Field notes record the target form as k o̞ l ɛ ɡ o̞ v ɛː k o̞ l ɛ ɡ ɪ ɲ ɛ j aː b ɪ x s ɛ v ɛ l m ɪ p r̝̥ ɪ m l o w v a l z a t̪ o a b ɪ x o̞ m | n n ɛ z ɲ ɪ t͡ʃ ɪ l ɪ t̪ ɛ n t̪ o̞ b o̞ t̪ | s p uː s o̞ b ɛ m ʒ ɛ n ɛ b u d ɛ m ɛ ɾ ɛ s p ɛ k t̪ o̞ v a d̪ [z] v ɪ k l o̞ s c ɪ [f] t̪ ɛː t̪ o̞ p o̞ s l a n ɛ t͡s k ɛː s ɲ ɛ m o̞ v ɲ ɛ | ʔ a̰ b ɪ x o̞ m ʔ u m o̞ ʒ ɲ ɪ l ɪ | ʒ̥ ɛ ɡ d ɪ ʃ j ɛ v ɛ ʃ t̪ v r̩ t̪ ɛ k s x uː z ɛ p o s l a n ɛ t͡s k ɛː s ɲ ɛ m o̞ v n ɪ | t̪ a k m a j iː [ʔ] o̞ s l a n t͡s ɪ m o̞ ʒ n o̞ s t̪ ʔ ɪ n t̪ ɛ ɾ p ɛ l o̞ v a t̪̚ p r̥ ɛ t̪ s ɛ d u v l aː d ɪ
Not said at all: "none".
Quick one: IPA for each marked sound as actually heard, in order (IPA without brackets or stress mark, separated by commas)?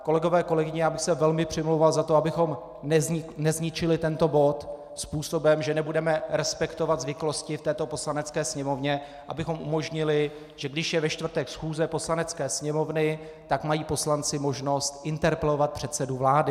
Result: z, f, p